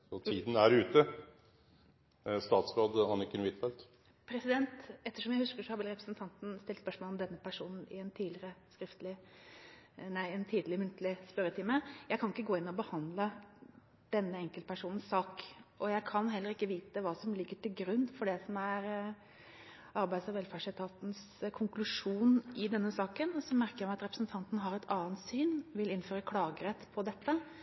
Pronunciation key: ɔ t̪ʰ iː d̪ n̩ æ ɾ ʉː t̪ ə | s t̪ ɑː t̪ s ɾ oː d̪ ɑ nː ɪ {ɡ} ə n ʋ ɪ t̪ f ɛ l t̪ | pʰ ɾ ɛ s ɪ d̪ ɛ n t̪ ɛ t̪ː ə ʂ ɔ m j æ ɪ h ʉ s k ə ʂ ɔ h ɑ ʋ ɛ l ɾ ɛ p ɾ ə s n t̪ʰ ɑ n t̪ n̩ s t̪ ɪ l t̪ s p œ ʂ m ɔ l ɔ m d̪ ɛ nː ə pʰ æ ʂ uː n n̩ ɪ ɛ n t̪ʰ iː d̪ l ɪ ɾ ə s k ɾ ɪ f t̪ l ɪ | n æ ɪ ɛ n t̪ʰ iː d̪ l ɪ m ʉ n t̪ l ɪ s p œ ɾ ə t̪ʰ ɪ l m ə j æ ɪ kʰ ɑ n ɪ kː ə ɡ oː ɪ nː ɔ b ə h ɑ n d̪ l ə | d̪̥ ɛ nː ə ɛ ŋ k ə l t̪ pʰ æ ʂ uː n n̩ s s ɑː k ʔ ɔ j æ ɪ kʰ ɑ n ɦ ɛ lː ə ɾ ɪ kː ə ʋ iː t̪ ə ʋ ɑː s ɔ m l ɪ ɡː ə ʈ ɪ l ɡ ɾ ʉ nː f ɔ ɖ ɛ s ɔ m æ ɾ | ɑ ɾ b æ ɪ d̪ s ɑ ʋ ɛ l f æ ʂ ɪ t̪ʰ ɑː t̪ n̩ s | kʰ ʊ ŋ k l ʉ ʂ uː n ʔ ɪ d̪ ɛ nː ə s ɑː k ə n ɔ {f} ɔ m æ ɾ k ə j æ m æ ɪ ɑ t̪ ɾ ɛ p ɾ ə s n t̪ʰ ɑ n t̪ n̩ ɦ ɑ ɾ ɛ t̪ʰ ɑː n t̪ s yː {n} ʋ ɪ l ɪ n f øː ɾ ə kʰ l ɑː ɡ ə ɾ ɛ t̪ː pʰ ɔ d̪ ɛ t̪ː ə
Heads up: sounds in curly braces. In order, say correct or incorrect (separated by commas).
incorrect, incorrect, correct